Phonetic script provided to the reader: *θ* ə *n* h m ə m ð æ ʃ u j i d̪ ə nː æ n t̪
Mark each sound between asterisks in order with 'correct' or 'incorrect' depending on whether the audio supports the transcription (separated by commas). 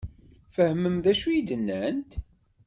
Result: incorrect, incorrect